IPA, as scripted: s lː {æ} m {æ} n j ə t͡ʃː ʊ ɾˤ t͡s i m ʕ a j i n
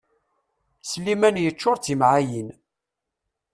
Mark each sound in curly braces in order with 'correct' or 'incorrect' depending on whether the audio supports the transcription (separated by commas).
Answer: incorrect, correct